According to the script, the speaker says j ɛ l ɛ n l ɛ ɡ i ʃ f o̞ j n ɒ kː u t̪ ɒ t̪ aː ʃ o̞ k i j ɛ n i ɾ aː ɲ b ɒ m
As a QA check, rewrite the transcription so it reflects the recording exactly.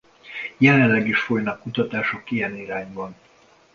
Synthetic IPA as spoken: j ɛ l ɛ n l ɛ ɡ i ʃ f o̞ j n ɒ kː u t̪ ɒ t̪ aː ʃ o̞ k i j ɛ n i ɾ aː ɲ b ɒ n